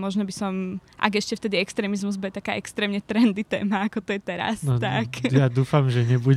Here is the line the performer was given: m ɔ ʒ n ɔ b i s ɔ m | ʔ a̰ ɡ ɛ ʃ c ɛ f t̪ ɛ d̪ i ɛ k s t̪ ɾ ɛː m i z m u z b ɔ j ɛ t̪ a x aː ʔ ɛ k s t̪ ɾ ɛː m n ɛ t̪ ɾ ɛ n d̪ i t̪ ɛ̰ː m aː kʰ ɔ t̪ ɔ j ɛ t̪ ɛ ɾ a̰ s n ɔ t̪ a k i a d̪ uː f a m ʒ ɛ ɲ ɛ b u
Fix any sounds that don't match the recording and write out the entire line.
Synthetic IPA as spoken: m ɔ ʒ n ɔ b i s ɔ m | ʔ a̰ ɡ ɛ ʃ c ɛ f t̪ ɛ d̪ i ɛ k s t̪ ɾ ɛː m i z m u z b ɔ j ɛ t̪ a k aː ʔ ɛ k s t̪ ɾ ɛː m ɲ ɛ t̪ ɾ ɛ n d̪ i t̪ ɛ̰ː m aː k ɔ t̪ ɔ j ɛ t̪ ɛ ɾ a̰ s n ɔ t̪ a k j a d̪ uː f a m ʒ ɛ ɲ ɛ b u